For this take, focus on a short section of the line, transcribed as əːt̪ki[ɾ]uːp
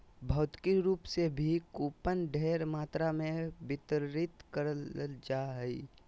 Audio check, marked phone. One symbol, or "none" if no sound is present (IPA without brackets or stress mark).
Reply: ɾ